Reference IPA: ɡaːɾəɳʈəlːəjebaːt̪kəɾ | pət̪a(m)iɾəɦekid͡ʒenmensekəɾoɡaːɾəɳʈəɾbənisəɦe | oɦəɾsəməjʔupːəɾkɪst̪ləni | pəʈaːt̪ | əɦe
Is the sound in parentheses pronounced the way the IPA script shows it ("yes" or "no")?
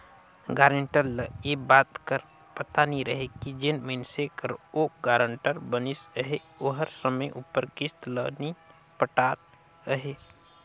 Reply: no